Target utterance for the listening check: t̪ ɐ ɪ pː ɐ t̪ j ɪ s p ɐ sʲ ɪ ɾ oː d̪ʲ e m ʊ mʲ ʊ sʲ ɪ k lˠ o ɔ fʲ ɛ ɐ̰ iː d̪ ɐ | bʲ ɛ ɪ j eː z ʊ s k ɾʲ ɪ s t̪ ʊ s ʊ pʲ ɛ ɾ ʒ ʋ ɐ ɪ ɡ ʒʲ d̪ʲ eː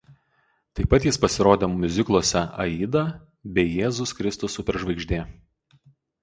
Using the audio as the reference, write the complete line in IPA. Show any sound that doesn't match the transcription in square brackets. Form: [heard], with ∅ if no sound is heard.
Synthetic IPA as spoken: t̪ ɐ ɪ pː ɐ t̪ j ɪ s p ɐ sʲ ɪ ɾ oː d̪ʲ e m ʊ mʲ ʊ [zʲ] ɪ k lˠ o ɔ [sʲ] ɛ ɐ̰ iː d̪ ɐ | bʲ ɛ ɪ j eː z ʊ s k ɾʲ ɪ s t̪ ʊ s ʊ pʲ ɛ ɾ ʒ ʋ ɐ ɪ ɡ ʒʲ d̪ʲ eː